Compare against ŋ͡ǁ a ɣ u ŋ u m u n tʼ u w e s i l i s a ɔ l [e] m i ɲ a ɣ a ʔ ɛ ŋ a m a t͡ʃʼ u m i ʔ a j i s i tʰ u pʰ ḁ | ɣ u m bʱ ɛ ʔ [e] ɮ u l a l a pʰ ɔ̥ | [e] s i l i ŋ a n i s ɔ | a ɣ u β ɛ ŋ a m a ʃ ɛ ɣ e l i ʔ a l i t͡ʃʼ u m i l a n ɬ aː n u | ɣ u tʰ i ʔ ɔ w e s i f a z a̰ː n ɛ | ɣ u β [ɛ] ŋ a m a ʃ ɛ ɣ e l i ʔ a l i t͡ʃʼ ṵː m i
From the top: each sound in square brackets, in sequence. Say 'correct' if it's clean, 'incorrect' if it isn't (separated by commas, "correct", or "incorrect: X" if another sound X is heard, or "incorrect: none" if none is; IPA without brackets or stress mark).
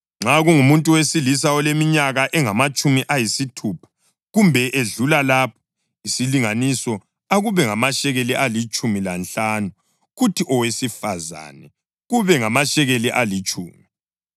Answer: correct, correct, incorrect: i, correct